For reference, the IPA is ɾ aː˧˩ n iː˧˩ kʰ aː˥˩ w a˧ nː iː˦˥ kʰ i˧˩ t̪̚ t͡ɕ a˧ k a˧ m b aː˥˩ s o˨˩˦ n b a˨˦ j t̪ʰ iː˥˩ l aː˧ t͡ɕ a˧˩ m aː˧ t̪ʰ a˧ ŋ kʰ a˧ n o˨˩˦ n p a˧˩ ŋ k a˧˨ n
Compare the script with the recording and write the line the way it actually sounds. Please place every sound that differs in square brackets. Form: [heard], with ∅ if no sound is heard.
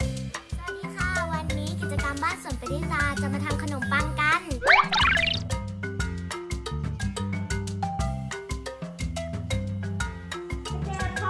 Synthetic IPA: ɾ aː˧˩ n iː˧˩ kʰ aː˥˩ w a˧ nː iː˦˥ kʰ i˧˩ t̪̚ t͡ɕ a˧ k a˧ m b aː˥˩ s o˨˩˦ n [p] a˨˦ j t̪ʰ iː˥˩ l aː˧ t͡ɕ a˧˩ m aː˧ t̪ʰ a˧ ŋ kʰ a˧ n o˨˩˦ [m] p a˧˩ ŋ k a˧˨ n